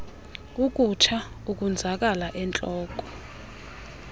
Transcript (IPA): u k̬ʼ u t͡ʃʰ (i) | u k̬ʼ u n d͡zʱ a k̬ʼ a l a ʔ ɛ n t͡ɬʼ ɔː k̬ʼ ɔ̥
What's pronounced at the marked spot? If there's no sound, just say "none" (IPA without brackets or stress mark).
a